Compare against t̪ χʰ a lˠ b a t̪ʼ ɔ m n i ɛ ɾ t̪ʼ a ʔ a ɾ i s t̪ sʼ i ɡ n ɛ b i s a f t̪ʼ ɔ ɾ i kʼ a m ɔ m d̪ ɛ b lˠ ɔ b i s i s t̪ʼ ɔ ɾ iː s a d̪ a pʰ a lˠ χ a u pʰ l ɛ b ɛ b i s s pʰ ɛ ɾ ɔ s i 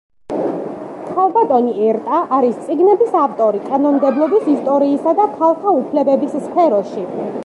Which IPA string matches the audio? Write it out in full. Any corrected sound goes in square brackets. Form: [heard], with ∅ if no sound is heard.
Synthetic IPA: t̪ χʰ a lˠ b a t̪ʼ ɔ [∅] n i ɛ ɾ t̪ʼ a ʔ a ɾ i s t̪ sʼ i ɡ n ɛ b i s a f t̪ʼ ɔ ɾ i kʼ a [n] ɔ m d̪ ɛ b lˠ ɔ b i s i s t̪ʼ ɔ ɾ iː s a d̪ a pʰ a lˠ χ a u pʰ l ɛ b ɛ b i s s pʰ ɛ ɾ ɔ [ʃ] i